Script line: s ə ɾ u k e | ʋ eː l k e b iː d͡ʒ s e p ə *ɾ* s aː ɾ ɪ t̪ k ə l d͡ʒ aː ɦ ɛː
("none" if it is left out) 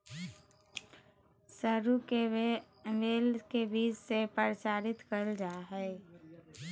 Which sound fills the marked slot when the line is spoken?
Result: ɾ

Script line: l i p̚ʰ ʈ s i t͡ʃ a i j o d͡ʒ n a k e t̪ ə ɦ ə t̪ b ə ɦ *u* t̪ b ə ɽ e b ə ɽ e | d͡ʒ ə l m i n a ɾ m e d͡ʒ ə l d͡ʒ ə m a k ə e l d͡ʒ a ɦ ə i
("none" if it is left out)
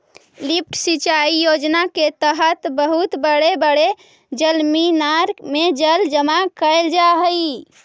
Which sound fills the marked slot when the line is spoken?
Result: u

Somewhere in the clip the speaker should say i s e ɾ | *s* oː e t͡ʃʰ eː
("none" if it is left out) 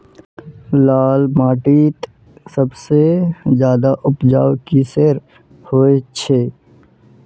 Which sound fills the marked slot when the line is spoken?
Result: h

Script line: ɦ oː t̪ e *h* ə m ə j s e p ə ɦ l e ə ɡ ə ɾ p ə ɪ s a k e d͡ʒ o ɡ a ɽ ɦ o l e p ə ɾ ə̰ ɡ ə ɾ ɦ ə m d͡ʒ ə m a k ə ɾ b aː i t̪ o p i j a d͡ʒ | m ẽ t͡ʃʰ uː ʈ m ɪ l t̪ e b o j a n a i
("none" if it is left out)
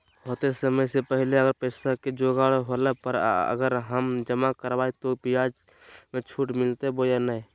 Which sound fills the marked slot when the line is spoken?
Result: s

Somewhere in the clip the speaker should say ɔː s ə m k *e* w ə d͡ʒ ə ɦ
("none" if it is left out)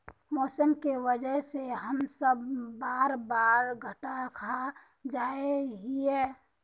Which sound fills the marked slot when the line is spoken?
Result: e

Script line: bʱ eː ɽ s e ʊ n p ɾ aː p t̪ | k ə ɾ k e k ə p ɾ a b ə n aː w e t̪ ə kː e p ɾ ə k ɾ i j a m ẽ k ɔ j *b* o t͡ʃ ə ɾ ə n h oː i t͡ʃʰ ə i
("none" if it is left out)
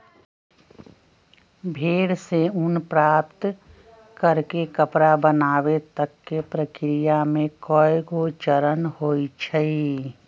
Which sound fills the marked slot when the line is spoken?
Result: ɡ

